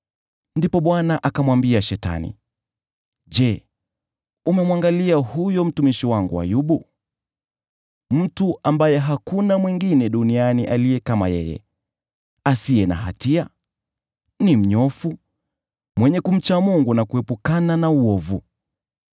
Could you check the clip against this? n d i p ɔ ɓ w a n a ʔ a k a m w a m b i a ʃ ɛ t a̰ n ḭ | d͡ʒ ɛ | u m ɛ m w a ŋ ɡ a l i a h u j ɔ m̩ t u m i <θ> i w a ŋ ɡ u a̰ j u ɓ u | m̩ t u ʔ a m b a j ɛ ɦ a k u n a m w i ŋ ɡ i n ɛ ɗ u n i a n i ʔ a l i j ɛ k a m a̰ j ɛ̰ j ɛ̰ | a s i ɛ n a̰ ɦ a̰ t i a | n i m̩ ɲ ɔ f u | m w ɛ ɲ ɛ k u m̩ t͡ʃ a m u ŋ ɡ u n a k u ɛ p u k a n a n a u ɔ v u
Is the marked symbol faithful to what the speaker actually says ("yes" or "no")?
no